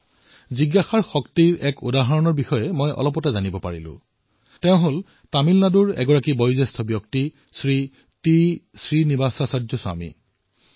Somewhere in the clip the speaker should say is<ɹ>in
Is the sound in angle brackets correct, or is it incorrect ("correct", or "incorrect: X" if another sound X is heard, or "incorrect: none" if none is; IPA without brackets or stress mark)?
correct